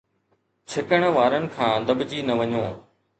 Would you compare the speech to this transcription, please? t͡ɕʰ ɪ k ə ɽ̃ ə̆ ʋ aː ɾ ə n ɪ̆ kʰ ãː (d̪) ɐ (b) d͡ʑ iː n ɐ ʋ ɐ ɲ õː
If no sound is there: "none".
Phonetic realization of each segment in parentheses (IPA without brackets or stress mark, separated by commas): d̪, b